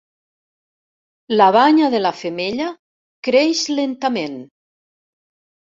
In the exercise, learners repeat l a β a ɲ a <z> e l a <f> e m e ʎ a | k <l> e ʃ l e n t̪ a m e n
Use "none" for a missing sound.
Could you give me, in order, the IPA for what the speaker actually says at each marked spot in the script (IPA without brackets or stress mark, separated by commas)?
ð, f, ɾ